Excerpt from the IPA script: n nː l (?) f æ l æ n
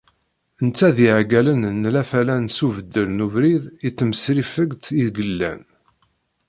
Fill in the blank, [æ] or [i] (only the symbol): æ